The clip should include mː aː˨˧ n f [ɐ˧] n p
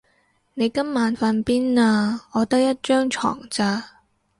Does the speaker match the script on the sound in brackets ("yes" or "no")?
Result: yes